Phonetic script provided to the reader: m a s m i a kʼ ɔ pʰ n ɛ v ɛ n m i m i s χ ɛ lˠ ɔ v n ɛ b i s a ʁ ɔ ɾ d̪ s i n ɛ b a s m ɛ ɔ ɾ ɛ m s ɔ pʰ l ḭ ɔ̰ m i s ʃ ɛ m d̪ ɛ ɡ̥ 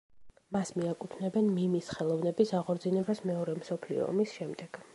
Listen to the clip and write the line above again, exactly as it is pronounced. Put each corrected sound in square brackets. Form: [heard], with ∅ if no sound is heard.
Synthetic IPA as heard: m a s m i a kʼ [u] pʰ n ɛ [b] ɛ n m i m i s χ ɛ lˠ ɔ v n ɛ b i s a ʁ ɔ ɾ d̪ [z] i n ɛ b a s m ɛ ɔ ɾ ɛ m s ɔ pʰ l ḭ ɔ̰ m i s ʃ ɛ m d̪ ɛ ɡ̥